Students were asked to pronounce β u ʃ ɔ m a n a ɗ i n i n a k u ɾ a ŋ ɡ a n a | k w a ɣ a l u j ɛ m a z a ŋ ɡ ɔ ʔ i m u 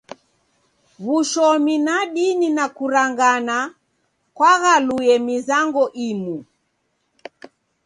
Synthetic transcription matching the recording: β u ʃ ɔ m i n a ɗ i n i n a k u ɾ a ŋ ɡ a n a | k w a ɣ a l u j ɛ m i z a ŋ ɡ ɔ ʔ i m u